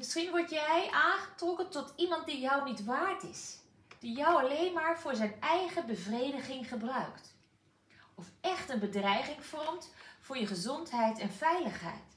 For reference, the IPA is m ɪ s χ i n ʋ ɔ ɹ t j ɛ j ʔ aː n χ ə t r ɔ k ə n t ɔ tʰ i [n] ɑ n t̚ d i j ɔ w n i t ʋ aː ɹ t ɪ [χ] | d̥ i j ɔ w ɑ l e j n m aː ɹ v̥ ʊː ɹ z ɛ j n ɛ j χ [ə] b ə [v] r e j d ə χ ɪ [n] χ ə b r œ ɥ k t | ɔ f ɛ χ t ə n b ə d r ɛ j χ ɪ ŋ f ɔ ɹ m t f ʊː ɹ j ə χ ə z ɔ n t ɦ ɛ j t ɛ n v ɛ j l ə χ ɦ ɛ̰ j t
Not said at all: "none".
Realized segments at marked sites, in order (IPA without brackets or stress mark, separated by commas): m, s, ə, v, ŋ